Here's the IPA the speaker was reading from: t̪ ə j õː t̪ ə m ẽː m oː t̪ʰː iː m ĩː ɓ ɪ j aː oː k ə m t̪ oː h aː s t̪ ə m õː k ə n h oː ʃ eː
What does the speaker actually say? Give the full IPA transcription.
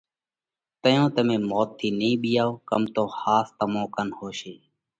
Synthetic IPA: t̪ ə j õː t̪ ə m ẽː m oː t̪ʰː iː n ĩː ɓ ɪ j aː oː k ə m t̪ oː h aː s t̪ ə m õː k ə n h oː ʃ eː